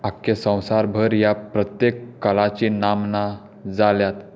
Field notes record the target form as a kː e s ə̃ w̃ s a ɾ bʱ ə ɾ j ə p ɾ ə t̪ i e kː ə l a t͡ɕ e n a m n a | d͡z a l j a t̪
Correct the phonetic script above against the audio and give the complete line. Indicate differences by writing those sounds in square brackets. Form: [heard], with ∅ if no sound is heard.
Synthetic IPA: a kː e s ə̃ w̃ s a ɾ bʱ ə ɾ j [a] p ɾ ə t̪ [j] e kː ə l a t͡ɕ [i] n a m n a | d͡z a l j a t̪